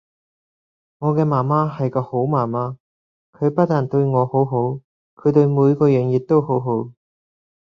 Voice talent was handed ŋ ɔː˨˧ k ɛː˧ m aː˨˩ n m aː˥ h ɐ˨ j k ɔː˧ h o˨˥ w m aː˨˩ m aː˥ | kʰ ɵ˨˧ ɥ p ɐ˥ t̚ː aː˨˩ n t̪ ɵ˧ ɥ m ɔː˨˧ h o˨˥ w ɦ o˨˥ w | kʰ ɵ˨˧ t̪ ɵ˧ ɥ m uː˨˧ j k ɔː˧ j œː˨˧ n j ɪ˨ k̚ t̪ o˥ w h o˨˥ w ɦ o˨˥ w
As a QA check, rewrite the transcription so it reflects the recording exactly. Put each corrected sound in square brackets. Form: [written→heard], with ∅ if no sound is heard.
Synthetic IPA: ŋ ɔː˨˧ k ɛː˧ m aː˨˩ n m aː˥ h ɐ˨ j k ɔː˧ h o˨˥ w m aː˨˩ m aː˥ | kʰ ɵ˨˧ ɥ p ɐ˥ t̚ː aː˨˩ n t̪ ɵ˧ ɥ [m→ŋ] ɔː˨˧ h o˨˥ w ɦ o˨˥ w | kʰ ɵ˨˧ t̪ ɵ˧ ɥ m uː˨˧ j k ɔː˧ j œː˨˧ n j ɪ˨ k̚ t̪ o˥ w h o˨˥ w ɦ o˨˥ w